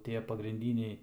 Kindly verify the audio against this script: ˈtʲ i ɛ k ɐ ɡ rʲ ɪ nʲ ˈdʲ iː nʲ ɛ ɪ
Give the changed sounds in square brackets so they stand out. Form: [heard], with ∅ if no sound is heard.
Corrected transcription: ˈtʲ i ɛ [p] ɐ ɡ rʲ ɪ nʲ ˈdʲ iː nʲ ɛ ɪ